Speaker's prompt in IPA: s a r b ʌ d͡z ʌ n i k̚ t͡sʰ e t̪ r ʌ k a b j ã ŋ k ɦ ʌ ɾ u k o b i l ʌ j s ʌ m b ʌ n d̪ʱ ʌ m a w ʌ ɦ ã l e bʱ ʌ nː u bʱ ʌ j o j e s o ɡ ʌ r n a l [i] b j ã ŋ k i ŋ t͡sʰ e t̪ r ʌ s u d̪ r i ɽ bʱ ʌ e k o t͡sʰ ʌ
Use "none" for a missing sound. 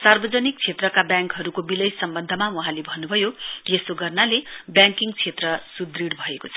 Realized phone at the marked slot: e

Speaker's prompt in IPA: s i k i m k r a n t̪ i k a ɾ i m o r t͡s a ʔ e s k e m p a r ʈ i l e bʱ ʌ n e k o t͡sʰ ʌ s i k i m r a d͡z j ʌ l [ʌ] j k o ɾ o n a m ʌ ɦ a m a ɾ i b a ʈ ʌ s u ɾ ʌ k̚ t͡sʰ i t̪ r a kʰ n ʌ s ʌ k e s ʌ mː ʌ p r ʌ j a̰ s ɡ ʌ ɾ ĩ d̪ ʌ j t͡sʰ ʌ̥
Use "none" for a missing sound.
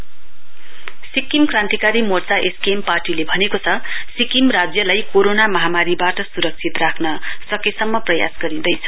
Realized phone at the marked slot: a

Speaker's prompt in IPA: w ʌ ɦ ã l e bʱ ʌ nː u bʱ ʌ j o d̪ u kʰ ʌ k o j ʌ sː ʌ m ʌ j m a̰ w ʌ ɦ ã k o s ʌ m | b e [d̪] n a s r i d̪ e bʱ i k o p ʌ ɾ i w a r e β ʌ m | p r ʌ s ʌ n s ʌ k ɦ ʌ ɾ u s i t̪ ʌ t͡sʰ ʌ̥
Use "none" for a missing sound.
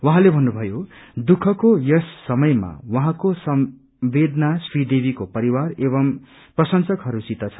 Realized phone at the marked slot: d̪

